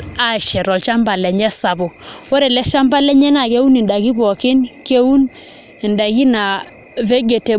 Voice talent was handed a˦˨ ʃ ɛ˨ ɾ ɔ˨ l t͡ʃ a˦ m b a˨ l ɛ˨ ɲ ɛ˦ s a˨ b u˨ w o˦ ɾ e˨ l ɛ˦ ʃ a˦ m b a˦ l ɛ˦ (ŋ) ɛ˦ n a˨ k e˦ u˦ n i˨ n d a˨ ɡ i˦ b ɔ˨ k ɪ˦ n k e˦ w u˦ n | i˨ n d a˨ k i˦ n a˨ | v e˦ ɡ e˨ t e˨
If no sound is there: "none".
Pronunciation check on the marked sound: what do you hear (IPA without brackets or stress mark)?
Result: ɲ